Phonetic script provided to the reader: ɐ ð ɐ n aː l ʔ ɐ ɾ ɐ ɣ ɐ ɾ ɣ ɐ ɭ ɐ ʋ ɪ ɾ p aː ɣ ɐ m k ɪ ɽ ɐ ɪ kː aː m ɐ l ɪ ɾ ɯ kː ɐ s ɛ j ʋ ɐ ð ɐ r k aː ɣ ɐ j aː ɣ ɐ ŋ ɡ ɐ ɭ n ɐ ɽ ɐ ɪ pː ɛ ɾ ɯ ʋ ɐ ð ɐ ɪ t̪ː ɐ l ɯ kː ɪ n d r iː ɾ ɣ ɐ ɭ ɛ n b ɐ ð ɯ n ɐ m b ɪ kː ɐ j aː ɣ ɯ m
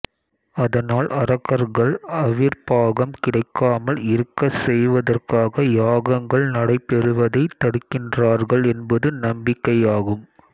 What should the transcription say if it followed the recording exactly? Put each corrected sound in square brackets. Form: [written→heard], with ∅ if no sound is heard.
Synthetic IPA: ɐ ð ɐ n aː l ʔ ɐ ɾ ɐ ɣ ɐ ɾ ɣ ɐ ɭ ɐ ʋ ɪ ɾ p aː ɣ ɐ m k ɪ ɽ ɐ ɪ kː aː m ɐ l ɪ ɾ ɯ kː ɐ s ɛ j ʋ ɐ ð ɐ r k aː ɣ ɐ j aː ɣ ɐ ŋ ɡ ɐ ɭ n ɐ ɽ ɐ ɪ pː ɛ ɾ ɯ ʋ ɐ ð ɐ ɪ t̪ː ɐ [l→ɽ] ɯ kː ɪ n d r [iː→aː] ɾ ɣ ɐ ɭ ɛ n b ɐ ð ɯ n ɐ m b ɪ kː ɐ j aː ɣ ɯ m